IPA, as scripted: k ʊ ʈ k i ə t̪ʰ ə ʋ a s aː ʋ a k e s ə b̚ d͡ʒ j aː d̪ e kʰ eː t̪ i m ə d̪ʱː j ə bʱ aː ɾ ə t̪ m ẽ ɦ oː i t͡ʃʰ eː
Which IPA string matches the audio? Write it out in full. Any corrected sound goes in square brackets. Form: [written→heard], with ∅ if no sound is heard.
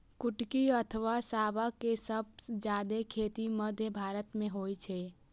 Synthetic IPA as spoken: k ʊ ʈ k i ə t̪ʰ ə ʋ a s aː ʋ a k e s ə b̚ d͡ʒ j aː d̪ e kʰ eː t̪ i m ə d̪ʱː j ə bʱ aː ɾ ə t̪ m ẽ ɦ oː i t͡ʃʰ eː